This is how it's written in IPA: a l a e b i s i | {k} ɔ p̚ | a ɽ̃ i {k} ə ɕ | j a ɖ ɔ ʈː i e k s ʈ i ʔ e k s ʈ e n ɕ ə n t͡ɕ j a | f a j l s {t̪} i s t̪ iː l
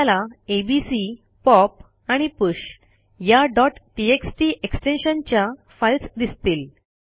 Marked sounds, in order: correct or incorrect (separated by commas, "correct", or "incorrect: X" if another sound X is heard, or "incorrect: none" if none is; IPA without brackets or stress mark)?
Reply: incorrect: p, incorrect: p, incorrect: d̪